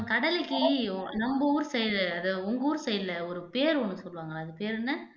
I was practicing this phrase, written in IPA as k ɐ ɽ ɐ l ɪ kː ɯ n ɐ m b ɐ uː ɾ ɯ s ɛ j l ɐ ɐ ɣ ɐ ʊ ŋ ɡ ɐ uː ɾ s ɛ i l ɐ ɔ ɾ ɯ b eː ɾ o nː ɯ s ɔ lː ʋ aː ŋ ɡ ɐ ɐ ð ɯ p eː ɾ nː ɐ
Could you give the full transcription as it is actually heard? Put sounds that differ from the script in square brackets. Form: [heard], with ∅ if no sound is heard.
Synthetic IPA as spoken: k ɐ ɽ ɐ l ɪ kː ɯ n ɐ m b ɐ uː ɾ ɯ s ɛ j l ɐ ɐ [ð] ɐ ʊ ŋ ɡ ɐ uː ɾ s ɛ [j] l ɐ ɔ ɾ ɯ [p] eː ɾ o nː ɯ s ɔ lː ʋ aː ŋ ɡ ɐ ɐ ð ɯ p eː ɾ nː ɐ